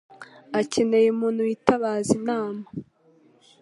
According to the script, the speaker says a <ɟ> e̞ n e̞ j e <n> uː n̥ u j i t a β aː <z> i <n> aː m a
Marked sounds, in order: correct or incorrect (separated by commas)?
incorrect, incorrect, correct, correct